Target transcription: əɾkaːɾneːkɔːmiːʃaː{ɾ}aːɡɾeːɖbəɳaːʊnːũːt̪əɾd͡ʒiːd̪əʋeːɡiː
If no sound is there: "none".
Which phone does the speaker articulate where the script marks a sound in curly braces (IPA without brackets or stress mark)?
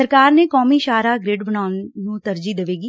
ɾ